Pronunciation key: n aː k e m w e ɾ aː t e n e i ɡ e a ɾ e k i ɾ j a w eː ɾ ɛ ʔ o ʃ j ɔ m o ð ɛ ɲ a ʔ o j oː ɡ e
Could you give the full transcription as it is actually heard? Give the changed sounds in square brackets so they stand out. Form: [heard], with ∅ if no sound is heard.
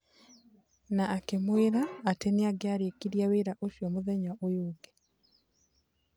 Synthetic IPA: n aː k e m w e ɾ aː t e n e [a] ɡ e a ɾ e k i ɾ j a w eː ɾ [a] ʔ o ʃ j ɔ m o ð ɛ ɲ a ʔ o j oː ɡ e